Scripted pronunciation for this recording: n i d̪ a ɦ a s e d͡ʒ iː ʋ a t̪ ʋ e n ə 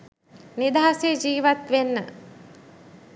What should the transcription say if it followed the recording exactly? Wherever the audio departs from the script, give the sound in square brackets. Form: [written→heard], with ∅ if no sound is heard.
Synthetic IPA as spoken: n i d̪ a ɦ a s e d͡ʒ iː ʋ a t̪ ʋ e [n→nː] ə